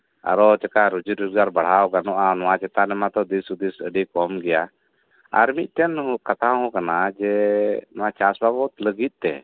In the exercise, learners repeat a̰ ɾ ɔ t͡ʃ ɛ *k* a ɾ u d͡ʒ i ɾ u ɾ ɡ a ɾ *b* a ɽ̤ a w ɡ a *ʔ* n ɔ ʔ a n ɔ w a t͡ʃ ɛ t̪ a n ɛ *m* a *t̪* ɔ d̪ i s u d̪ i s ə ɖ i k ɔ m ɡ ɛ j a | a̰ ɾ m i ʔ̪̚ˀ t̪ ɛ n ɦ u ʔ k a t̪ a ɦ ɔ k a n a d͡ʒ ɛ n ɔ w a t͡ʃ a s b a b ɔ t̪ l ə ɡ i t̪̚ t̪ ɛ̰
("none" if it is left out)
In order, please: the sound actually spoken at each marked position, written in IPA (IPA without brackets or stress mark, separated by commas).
k, b, none, m, t̪